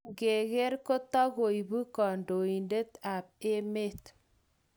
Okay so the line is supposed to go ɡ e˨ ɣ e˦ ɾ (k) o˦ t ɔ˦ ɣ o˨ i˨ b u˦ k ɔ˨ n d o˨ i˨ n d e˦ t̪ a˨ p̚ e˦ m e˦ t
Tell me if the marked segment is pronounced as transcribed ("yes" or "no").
yes